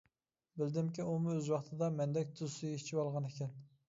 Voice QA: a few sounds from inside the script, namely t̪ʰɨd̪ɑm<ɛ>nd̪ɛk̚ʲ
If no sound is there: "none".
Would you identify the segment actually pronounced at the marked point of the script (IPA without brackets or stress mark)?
ɛ